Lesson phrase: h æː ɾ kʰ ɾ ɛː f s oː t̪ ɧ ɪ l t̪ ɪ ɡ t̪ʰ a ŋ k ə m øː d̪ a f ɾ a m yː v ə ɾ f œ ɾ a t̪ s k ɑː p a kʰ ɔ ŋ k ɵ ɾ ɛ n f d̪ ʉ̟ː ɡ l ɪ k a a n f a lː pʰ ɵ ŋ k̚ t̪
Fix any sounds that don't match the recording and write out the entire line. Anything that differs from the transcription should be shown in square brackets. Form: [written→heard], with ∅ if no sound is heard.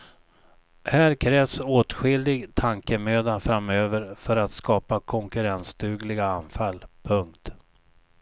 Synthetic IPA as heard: h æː ɾ kʰ ɾ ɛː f s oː t̪ ɧ ɪ l [t̪→d̪] ɪ ɡ t̪ʰ a ŋ k ə m øː d̪ a f ɾ a m [yː→øː] v ə ɾ f œ ɾ a t̪ s k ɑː p a kʰ ɔ ŋ k ɵ ɾ ɛ n [f→s] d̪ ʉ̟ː ɡ l ɪ [k→ɡ] a a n f a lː pʰ ɵ ŋ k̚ t̪